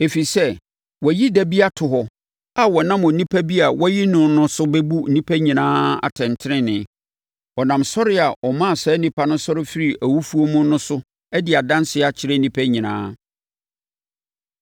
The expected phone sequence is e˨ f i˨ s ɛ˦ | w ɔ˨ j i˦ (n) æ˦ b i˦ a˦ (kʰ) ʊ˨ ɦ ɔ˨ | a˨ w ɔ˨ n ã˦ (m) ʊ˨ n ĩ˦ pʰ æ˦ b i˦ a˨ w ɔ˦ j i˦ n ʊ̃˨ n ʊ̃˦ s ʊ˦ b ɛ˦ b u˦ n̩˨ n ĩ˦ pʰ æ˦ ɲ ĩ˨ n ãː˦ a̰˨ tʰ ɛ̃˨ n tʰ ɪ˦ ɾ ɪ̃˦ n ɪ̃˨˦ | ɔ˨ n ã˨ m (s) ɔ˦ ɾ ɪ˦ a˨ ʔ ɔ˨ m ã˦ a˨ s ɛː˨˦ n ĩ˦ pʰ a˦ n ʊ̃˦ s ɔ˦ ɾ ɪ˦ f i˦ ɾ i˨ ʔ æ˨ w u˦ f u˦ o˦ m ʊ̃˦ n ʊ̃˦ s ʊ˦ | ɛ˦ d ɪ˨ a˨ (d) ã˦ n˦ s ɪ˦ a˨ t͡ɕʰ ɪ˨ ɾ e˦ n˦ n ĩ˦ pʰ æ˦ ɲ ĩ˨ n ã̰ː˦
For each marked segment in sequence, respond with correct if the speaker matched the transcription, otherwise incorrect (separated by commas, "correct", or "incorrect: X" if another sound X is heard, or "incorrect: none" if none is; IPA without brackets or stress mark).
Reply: incorrect: d, incorrect: tʰ, correct, correct, correct